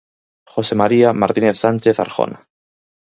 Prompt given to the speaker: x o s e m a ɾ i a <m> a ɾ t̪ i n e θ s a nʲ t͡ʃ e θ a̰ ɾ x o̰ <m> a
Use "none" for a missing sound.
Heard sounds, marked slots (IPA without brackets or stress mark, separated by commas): m, n